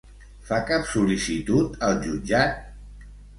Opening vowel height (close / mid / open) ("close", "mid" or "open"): open